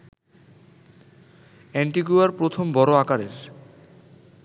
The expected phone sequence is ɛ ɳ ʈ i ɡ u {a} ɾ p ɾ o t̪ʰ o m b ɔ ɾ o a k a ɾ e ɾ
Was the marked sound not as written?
no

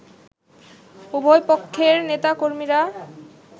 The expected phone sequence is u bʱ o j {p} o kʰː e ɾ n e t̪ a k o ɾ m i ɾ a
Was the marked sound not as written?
no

